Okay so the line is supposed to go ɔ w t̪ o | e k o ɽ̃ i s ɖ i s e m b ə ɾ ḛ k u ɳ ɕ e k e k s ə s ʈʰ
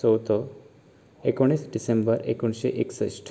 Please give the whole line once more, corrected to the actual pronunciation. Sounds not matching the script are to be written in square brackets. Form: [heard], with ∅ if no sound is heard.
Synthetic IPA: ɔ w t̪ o | e k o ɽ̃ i s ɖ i s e m b ə ɾ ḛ k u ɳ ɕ e [ʔ] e k s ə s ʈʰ

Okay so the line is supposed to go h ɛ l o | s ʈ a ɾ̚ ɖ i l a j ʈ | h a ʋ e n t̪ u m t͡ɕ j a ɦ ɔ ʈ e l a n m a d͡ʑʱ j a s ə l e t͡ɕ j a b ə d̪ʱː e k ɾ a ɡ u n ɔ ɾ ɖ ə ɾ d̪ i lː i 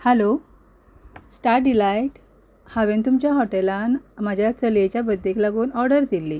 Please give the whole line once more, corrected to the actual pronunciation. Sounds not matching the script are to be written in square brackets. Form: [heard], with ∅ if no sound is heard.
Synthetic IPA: h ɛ l o | s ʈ a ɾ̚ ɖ i l a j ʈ | h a ʋ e n t̪ u m t͡ɕ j a ɦ ɔ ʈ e l a n m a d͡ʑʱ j a [t͡s] ə l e t͡ɕ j a b ə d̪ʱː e k [l] a ɡ [uː] n ɔ ɾ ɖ ə ɾ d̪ i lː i

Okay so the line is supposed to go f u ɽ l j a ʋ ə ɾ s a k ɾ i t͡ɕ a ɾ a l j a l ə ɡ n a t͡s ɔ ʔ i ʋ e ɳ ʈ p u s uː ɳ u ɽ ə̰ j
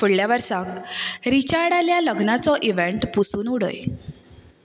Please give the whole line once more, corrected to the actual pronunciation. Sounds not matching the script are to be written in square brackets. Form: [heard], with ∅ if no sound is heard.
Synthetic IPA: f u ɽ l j a ʋ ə ɾ s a k ɾ i t͡ɕ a [ɽ] a l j a l ə ɡ n a t͡s ɔ ʔ i ʋ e ɳ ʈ p u s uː [n] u ɽ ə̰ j

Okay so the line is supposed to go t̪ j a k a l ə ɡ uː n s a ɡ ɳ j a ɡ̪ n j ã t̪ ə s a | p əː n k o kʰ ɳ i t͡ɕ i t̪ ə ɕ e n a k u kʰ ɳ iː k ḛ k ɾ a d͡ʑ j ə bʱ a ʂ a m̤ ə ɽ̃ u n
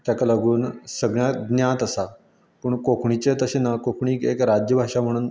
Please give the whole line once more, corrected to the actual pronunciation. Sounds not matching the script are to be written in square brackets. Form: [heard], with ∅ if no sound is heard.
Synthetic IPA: t̪ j a k a l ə ɡ uː n s [ə] ɡ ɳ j a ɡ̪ n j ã t̪ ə s a | p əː [ɳ] k o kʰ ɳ i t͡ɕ [e] t̪ ə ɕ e n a k [o] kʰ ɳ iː k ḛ k ɾ a d͡ʑ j ə bʱ a ʂ a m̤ ə ɽ̃ [uː] n

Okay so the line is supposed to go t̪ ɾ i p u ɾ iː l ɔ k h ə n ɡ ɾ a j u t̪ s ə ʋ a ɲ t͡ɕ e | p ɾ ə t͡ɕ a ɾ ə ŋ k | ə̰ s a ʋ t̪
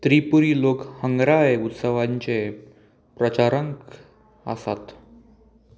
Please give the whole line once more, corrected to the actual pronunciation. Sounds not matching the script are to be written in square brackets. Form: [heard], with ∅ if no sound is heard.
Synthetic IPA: t̪ ɾ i p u ɾ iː l [o] k h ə [ŋ] ɡ ɾ a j u t̪ s ə ʋ a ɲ t͡ɕ e | p ɾ ə t͡ɕ a ɾ ə ŋ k | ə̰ s a [∅] t̪

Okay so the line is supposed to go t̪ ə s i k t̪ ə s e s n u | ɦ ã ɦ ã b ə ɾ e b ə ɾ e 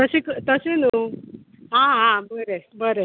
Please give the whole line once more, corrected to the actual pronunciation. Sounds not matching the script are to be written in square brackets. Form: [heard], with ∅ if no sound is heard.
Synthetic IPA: t̪ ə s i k t̪ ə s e [∅] n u | ɦ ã ɦ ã b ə ɾ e b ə ɾ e

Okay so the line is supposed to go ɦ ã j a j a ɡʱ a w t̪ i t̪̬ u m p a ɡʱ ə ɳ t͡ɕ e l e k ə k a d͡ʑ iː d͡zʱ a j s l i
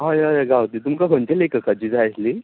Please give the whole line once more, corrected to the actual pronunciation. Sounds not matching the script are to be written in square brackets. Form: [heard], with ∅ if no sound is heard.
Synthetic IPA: ɦ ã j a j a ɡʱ a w t̪ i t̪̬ u m [k] a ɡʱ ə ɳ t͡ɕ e l e k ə k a d͡ʑ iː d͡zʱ a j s l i

